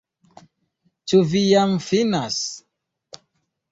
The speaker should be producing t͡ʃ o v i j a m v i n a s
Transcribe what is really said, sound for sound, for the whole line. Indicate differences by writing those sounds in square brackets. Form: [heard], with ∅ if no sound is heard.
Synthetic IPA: t͡ʃ [u] v i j a m [f] i n a s